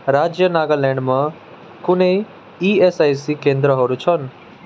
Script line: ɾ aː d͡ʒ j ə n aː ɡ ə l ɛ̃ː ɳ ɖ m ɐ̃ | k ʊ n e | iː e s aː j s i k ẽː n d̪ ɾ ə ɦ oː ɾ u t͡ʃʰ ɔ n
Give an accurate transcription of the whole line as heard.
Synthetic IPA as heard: ɾ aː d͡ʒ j ə n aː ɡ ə l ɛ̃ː ɳ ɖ m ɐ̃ | k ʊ n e | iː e s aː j s i k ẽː n d̪ ɾ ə ɦ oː ɾ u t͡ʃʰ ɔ n